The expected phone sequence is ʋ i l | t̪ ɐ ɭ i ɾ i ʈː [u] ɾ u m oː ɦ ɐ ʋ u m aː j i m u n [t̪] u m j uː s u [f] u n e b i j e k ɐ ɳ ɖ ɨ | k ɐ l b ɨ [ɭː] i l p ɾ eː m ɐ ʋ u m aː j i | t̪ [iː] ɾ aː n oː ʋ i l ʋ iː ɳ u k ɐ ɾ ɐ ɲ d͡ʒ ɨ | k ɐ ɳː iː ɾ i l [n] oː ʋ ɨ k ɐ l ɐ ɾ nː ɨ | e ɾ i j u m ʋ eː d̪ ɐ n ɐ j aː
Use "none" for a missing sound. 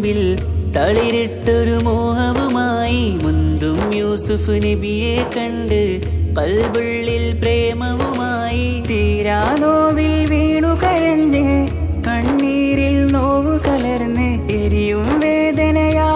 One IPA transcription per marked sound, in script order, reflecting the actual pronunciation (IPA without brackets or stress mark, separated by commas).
o, d̪, f, ɭː, iː, n